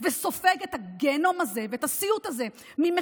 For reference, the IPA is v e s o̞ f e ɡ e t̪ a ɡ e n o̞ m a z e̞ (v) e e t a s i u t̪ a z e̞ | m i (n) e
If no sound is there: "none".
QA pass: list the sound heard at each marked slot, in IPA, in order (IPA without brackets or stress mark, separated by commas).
v, m